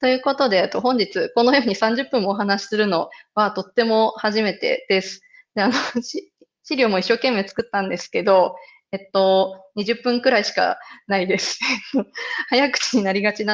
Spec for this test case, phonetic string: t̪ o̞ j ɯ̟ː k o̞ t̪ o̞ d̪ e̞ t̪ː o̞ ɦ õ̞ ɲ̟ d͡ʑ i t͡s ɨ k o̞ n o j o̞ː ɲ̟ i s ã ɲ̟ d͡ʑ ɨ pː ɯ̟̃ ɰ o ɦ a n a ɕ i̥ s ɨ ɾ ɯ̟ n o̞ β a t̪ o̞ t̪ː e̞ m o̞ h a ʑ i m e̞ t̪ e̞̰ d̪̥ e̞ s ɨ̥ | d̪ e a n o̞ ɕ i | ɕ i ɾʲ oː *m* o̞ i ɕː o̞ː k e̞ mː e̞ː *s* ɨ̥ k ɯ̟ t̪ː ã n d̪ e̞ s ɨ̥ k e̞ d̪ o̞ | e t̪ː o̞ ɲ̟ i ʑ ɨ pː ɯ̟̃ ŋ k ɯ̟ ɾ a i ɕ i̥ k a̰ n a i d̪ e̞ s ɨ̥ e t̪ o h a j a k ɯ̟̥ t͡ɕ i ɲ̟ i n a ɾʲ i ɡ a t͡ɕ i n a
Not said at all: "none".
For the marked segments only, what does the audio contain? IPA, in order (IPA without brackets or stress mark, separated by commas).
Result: m, t͡s